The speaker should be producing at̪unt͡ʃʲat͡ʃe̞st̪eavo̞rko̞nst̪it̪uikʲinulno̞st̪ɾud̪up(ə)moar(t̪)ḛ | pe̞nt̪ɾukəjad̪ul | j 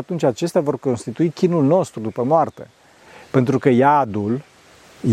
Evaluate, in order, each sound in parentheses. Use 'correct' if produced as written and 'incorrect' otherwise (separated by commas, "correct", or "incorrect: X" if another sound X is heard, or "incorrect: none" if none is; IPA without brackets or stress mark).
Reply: correct, correct